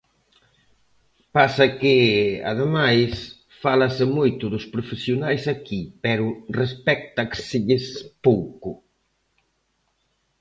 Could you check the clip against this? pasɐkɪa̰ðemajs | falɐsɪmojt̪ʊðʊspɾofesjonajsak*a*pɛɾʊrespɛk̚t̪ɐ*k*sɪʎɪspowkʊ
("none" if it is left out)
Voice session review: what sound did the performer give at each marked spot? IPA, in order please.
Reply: i, k

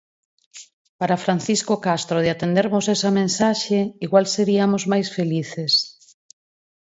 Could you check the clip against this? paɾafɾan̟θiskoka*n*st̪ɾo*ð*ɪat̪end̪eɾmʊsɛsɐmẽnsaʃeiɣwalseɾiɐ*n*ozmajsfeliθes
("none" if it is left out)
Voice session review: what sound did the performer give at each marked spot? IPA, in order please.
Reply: none, ð, m

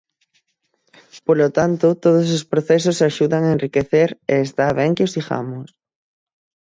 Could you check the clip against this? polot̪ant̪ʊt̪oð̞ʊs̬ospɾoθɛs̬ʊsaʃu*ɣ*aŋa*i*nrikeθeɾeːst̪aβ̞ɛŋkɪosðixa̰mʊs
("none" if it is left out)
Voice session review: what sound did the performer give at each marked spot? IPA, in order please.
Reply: ð, e

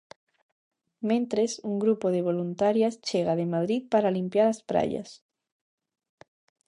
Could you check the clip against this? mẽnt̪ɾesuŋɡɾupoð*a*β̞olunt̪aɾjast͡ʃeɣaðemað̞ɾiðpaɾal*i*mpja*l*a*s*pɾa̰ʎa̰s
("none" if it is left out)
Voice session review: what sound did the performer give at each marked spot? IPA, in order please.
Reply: e, i, ɾ, s

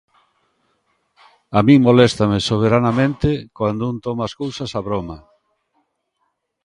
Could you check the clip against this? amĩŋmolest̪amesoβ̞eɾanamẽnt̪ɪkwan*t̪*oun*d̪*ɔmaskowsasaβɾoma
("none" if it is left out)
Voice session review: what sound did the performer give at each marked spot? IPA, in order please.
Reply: d̪, t̪

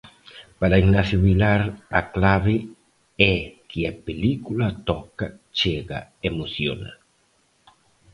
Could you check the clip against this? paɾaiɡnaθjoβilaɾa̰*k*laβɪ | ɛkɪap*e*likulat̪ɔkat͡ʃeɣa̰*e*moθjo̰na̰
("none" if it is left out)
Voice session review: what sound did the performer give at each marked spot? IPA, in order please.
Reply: k, e, e

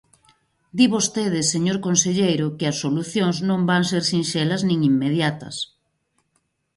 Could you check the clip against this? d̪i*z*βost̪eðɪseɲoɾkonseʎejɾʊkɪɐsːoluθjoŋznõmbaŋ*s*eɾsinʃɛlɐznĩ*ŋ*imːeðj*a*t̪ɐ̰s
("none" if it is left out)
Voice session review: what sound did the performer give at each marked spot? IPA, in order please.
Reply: none, s, ŋ, a

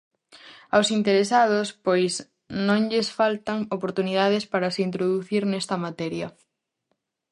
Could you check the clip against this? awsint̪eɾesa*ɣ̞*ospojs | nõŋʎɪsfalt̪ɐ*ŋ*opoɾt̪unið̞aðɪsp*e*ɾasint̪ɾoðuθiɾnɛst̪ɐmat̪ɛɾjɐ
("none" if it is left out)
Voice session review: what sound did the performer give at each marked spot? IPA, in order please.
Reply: ð̞, ŋ, a

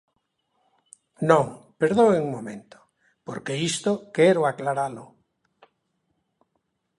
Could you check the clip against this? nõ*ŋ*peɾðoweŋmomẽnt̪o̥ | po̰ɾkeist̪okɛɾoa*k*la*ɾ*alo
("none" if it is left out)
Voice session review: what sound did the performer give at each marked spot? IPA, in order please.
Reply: ŋ, k, ɾ

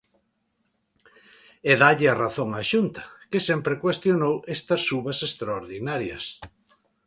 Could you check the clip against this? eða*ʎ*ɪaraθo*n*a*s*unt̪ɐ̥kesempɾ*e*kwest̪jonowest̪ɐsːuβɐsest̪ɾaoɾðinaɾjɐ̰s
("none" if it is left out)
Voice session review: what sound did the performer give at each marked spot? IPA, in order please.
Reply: ʎ, ŋ, ʃ, e

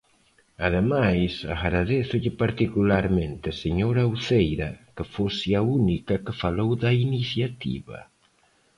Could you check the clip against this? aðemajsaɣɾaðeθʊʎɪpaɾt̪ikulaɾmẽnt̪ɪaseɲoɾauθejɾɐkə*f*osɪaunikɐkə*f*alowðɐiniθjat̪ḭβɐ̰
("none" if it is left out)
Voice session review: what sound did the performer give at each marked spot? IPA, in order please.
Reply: f, f

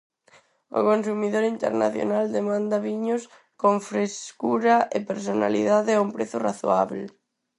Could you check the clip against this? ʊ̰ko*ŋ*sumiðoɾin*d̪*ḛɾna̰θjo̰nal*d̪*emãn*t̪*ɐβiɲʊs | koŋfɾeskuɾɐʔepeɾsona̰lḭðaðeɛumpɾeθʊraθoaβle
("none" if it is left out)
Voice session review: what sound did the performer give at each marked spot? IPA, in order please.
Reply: n, t̪, d̪, d̪

